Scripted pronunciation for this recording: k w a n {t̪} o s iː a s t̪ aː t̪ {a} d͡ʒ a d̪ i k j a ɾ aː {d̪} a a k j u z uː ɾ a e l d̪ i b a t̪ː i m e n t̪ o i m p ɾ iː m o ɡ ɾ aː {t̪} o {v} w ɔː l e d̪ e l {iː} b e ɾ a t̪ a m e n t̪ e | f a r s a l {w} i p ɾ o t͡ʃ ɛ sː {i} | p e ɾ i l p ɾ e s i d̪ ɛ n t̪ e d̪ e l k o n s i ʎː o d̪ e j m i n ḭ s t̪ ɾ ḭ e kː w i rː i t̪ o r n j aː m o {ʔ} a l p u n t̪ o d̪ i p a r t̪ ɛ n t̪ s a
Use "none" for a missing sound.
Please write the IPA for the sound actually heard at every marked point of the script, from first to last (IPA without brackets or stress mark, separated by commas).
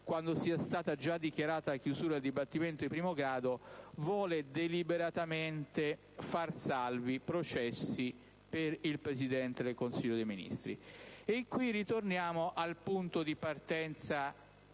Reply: d̪, a, t̪, d̪, v, i, v, i, ʔ